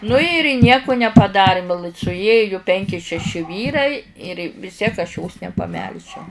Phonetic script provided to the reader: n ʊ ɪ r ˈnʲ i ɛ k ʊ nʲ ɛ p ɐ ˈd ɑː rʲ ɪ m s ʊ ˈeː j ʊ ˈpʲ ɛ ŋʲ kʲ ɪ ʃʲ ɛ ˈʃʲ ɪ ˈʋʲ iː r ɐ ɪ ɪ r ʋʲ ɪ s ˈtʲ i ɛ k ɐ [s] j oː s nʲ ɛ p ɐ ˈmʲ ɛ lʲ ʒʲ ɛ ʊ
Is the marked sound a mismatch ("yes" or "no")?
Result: yes